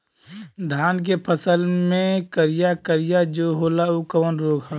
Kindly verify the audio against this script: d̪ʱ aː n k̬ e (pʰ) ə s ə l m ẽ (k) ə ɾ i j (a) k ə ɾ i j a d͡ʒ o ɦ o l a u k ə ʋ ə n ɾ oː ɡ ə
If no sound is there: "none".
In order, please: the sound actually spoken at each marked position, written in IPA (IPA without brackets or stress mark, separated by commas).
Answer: pʰ, k, a